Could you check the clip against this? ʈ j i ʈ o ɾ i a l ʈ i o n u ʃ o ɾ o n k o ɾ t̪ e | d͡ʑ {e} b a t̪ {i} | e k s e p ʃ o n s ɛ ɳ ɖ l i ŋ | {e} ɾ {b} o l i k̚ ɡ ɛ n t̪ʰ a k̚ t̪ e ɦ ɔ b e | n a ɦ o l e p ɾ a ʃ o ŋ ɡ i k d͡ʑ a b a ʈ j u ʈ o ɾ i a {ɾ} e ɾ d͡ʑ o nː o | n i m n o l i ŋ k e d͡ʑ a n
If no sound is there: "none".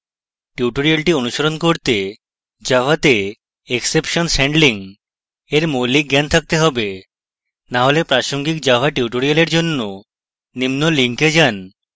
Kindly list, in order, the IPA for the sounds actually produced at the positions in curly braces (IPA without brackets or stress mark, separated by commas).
a, e, e, m, l